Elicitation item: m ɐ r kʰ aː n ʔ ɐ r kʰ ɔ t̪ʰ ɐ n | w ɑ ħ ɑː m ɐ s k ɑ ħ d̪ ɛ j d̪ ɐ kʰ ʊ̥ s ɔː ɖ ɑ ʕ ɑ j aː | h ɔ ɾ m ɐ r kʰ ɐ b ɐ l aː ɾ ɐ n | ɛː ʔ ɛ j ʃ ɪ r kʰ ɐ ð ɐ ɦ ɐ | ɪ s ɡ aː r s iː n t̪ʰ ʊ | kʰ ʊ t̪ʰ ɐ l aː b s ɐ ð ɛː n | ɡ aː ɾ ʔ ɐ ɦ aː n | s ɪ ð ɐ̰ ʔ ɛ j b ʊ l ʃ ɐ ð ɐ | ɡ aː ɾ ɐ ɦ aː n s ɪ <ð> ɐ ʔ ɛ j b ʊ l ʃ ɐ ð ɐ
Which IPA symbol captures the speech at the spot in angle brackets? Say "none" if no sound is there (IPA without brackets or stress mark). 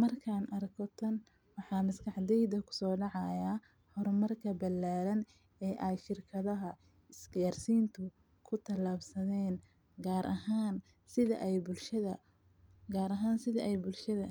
ð